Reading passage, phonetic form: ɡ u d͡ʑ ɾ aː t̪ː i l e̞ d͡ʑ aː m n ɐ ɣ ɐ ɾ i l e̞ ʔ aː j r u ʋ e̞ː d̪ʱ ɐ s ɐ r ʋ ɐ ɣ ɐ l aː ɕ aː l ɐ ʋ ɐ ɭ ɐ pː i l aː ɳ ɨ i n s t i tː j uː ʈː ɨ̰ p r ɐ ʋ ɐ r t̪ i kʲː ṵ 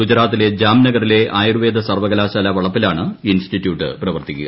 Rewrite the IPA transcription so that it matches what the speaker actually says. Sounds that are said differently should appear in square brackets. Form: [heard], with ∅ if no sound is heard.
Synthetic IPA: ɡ u d͡ʑ ɾ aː t̪ː i l e̞ d͡ʑ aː m n ɐ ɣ ɐ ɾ i l e̞ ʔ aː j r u ʋ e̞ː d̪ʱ ɐ s ɐ r ʋ ɐ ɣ ɐ l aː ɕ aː l ɐ ʋ ɐ ɭ ɐ pː i l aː ɳ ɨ i n s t i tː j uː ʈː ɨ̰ p r ɐ ʋ ɐ r t̪ i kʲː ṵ